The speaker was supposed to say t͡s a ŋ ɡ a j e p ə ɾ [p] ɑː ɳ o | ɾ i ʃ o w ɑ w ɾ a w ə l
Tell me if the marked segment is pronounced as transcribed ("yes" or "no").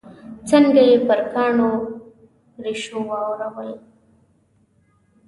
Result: no